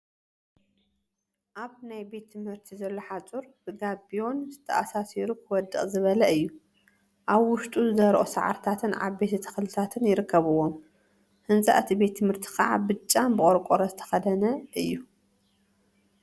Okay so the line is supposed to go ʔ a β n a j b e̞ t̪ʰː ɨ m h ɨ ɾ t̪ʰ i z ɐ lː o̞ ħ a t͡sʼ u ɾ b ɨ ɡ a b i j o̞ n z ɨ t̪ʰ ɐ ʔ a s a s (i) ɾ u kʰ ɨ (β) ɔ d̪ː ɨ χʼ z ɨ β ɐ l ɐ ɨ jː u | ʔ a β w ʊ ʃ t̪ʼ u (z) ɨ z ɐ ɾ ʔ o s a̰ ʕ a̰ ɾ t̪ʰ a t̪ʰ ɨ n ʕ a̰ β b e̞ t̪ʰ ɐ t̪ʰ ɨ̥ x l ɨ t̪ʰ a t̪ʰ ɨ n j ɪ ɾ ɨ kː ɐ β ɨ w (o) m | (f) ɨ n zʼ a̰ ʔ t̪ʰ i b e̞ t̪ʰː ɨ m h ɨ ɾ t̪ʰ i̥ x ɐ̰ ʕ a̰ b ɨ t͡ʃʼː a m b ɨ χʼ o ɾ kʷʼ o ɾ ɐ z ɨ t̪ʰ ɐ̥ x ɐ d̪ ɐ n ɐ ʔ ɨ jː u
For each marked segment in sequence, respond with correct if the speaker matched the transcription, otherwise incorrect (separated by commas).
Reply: correct, incorrect, correct, correct, incorrect